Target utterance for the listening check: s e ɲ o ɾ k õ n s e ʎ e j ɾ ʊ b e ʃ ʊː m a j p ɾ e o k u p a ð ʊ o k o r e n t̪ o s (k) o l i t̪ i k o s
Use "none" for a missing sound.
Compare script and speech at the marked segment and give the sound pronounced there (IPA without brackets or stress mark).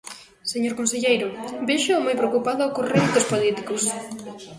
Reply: p